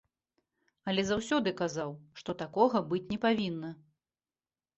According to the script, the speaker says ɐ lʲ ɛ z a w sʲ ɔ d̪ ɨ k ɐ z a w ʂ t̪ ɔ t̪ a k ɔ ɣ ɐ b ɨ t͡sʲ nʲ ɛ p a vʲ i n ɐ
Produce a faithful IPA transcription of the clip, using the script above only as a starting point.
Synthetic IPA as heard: ɐ lʲ ɛ z a w sʲ ɔ d̪ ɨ k a z a w ʂ t̪ ɔ t̪ a k ɔ ɣ ɐ b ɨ t͡sʲ nʲ ɛ p a vʲ i nː ɐ